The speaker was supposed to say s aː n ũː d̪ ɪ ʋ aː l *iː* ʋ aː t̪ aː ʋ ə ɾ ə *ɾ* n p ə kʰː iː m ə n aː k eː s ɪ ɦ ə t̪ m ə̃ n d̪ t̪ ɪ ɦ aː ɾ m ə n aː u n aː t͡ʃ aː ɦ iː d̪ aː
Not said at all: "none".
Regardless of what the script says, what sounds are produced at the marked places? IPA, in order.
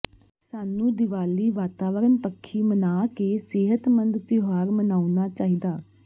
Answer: iː, none

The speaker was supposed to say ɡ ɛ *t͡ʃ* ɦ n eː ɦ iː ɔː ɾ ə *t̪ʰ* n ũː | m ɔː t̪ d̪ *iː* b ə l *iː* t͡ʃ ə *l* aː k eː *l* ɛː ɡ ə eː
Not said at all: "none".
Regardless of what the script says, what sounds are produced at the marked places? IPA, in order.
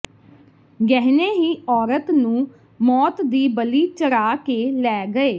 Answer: none, t̪, iː, iː, ɾ, l

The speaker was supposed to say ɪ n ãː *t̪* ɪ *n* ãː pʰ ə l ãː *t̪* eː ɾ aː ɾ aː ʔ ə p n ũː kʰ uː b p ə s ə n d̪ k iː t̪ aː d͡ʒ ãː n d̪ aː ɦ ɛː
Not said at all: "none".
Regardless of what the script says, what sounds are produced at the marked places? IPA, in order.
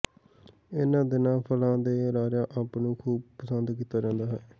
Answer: d̪, n, d̪

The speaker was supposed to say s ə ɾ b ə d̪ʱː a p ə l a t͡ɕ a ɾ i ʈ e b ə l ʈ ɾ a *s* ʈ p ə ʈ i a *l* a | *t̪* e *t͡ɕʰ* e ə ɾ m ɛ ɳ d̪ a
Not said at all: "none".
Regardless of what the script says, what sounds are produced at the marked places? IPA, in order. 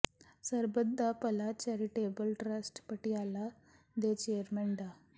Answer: s, l, d̪, t͡ɕ

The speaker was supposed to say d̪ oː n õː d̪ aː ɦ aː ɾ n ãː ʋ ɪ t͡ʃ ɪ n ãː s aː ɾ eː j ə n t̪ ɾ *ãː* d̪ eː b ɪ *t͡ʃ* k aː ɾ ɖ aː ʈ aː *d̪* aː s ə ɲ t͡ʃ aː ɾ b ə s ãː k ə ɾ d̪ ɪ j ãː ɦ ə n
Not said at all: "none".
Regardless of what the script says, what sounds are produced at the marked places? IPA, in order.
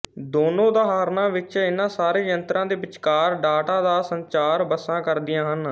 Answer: ãː, t͡ʃ, d̪

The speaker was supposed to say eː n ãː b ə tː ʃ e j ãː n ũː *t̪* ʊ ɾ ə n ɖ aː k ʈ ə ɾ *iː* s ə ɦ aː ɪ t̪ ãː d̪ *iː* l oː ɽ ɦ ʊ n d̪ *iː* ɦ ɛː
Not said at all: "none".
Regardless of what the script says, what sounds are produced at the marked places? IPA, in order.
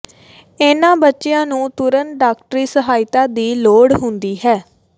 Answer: t̪, iː, iː, iː

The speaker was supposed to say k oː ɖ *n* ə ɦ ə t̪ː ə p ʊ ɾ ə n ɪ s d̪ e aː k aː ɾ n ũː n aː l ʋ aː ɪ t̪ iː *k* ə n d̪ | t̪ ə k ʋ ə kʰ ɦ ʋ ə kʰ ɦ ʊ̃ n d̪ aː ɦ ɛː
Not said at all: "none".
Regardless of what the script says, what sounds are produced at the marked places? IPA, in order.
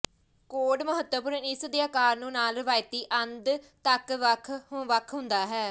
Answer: m, ʔ

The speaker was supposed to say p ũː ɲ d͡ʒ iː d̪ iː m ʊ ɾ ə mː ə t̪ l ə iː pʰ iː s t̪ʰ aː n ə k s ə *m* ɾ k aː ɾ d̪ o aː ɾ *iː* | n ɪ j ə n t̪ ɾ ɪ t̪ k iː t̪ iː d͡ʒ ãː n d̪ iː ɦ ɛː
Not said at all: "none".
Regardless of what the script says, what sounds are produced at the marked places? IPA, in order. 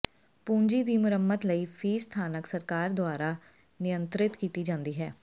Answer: none, aː

